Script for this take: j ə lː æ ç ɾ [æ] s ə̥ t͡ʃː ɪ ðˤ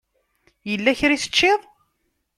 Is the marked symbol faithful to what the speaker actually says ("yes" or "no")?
no